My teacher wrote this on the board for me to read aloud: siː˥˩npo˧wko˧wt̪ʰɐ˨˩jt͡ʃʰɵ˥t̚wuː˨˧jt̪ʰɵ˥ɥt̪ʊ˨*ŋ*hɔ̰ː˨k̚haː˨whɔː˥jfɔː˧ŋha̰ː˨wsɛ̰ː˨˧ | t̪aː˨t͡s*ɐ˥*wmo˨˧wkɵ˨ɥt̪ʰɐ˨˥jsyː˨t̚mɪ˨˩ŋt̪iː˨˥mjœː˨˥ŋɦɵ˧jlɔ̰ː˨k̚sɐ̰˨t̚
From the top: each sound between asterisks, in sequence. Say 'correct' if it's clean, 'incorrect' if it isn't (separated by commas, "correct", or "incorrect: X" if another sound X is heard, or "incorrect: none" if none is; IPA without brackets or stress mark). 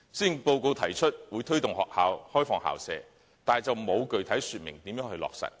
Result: correct, incorrect: ɐ˨